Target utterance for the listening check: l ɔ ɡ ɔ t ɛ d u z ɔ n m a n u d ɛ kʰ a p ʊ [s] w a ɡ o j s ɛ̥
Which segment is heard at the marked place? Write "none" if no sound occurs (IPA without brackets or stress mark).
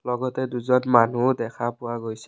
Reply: none